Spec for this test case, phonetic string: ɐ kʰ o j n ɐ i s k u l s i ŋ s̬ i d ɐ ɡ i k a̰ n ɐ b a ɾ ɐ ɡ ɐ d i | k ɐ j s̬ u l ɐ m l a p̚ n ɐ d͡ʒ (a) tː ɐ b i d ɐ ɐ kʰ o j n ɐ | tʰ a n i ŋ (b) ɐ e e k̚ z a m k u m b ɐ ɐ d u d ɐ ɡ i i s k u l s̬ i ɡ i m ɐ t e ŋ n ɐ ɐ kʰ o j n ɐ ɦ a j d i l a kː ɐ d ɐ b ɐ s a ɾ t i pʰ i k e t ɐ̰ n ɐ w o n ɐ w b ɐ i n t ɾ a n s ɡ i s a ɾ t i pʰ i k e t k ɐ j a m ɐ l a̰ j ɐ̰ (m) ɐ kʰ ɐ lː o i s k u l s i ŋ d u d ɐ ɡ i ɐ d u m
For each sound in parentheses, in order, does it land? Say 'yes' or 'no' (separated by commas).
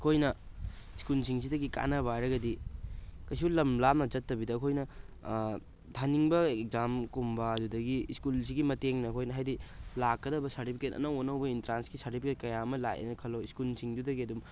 no, yes, no